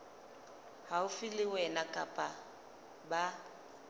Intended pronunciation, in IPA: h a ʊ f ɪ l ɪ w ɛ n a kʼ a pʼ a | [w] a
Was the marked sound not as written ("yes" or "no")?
yes